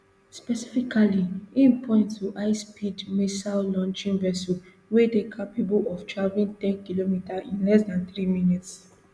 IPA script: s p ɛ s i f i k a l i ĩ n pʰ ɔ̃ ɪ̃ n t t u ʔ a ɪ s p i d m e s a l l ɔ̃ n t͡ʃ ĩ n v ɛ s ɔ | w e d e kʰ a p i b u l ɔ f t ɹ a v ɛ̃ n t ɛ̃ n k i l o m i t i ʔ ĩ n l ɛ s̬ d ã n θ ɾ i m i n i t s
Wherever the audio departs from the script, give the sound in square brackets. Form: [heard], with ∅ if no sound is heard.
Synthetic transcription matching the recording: s p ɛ s i f i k a l i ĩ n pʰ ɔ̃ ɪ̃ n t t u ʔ a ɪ s p i d m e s a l l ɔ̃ n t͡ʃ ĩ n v ɛ s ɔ | w e d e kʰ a p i b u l ɔ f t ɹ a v [ĩ] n t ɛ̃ n k i l o m i t [a] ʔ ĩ n l ɛ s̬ d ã n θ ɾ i m i n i t s